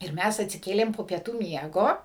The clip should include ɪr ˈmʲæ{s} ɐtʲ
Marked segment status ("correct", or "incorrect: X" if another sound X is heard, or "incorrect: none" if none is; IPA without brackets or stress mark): correct